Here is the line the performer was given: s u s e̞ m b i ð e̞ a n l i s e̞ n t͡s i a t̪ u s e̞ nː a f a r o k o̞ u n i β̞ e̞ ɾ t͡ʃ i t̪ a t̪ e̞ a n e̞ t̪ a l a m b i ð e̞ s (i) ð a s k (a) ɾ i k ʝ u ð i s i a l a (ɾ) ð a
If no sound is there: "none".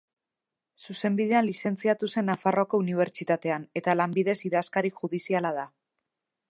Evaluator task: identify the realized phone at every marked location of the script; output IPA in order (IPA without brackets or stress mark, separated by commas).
i, a, none